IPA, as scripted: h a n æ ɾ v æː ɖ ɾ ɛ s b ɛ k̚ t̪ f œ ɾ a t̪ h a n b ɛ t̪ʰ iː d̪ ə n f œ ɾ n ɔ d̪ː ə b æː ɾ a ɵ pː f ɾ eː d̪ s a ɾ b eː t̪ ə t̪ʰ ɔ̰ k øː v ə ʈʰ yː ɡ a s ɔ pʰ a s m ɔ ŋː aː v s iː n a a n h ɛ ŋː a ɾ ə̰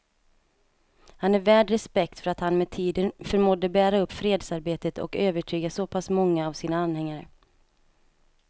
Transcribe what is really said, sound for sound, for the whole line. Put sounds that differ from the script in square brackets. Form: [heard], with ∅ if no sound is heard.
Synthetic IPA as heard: h a n æ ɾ v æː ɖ ɾ ɛ s [p] ɛ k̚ t̪ f œ ɾ a t̪ h a n [m] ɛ t̪ʰ iː d̪ ə n f œ ɾ [m] ɔ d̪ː ə b æː ɾ a ɵ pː f ɾ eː d̪ s a ɾ b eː t̪ ə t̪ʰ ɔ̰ k øː v ə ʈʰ yː ɡ a s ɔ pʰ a s m ɔ ŋː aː v s iː n a a n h ɛ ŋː a ɾ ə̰